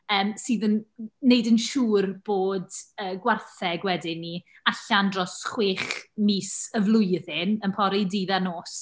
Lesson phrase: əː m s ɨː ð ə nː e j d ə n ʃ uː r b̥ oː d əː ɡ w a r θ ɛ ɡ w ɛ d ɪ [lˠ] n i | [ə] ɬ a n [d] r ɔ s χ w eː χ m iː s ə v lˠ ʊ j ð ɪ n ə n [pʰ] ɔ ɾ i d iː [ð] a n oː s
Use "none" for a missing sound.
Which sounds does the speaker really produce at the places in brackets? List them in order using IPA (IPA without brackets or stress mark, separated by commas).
none, a, d, pʰ, ð